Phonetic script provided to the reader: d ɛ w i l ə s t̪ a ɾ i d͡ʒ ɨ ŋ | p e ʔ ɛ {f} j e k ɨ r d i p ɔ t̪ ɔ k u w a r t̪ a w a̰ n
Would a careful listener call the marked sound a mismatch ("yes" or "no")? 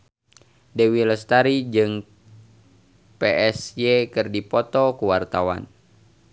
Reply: yes